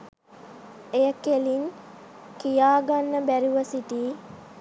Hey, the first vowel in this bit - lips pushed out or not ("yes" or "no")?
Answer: no